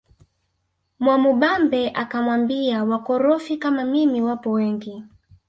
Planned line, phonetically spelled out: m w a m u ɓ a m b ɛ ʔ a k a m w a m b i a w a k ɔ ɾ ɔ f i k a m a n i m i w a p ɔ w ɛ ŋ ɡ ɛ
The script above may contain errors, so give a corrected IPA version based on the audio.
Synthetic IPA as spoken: m w a m u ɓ a m b ɛ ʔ a k a m w a m b i a w a k ɔ ɾ ɔ f i k a m a m i m i w a p ɔ w ɛ ŋ ɡ i